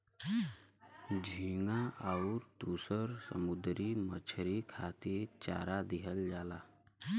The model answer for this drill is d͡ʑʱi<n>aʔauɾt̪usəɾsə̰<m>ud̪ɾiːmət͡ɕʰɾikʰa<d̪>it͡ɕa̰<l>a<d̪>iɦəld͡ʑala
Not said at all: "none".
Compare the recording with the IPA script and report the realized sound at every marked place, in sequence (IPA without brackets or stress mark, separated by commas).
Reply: ŋ, m, t̪, ɾ, d̪